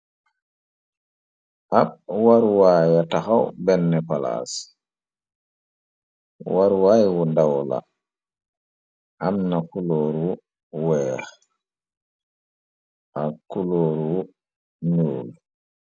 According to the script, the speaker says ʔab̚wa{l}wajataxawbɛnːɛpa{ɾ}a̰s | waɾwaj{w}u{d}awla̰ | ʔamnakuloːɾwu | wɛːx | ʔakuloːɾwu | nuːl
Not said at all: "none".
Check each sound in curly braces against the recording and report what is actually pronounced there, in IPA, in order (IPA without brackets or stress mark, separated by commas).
ɾ, l, w, d